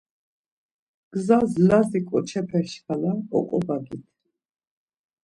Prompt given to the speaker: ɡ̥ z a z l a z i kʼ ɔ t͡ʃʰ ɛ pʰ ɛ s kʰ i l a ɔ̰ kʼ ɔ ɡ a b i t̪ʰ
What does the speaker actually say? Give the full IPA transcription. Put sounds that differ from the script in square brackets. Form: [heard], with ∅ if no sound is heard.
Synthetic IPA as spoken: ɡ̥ z a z l a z i kʼ ɔ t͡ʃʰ ɛ pʰ ɛ [ʃ] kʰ [a] l a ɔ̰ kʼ ɔ [b] a [ɡ] i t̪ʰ